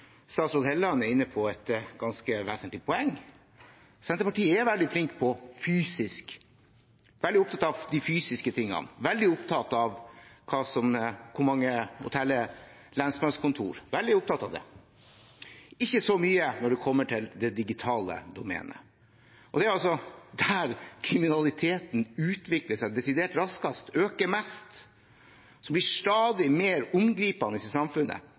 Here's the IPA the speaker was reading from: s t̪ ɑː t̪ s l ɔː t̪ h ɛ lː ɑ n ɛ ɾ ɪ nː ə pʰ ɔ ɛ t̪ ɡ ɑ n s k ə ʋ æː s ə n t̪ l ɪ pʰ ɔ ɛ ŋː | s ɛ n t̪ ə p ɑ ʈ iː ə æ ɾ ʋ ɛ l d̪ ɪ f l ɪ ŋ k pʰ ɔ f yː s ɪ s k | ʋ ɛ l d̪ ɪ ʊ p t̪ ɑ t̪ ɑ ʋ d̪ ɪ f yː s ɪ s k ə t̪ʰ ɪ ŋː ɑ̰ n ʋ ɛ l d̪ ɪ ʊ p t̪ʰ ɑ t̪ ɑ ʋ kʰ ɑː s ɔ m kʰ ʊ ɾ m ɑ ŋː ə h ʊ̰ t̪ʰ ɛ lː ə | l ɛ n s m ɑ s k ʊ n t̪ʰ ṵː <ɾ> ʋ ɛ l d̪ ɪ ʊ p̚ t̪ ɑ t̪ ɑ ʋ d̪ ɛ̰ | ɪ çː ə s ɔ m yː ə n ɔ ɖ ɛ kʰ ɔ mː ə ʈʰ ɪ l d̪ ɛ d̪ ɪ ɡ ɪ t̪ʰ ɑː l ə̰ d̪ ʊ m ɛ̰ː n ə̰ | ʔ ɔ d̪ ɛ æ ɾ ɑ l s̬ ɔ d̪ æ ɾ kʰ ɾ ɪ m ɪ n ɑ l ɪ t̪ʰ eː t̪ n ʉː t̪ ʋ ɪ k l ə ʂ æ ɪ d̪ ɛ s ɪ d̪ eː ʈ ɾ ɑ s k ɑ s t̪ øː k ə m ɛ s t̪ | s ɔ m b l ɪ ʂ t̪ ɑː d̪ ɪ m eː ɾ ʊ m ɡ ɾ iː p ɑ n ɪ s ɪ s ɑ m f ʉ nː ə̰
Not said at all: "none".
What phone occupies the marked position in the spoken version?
ɾ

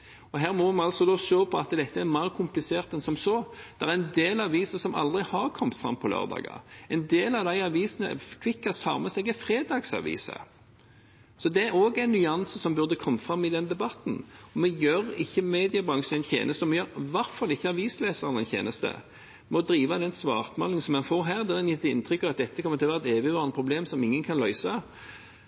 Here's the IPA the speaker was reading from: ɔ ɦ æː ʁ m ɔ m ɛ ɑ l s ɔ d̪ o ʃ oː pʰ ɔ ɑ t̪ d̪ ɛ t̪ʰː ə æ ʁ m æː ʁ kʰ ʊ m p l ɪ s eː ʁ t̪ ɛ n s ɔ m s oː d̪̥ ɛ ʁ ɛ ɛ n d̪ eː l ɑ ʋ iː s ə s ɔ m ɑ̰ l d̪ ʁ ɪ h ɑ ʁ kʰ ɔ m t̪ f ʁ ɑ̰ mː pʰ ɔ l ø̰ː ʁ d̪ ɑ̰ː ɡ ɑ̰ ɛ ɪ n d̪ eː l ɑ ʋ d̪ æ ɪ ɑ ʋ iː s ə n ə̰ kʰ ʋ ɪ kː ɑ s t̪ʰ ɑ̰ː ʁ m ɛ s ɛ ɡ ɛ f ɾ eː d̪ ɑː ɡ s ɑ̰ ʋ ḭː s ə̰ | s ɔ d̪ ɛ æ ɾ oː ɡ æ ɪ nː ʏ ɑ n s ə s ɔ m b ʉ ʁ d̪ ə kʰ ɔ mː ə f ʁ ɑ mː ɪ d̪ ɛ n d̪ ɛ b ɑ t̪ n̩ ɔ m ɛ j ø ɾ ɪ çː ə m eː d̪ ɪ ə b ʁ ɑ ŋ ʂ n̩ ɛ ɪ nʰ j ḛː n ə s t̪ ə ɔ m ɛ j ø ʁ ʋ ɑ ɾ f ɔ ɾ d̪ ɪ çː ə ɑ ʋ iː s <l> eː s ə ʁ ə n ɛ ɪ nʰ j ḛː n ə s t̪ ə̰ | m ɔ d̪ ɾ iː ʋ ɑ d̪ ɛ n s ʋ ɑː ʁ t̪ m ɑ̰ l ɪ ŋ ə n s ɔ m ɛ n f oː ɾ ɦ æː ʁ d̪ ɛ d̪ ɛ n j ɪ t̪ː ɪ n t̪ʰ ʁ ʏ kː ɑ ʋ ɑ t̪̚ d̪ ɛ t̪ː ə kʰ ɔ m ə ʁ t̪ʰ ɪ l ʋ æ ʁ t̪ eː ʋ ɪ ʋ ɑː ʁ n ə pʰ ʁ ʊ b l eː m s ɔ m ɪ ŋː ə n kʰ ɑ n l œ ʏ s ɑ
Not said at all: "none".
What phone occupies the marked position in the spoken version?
l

